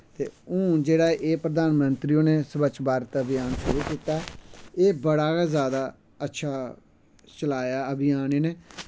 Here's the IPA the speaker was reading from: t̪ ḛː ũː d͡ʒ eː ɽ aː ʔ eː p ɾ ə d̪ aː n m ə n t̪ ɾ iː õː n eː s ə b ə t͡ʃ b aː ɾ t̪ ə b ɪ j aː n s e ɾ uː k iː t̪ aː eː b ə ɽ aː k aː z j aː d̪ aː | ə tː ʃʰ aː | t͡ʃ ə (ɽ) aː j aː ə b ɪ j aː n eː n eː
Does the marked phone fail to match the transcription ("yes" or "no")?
yes